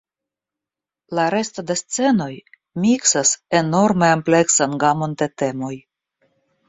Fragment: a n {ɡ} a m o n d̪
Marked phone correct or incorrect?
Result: correct